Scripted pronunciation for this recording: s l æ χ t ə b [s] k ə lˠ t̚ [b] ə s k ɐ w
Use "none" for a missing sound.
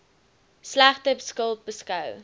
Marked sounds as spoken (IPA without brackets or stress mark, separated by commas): s, b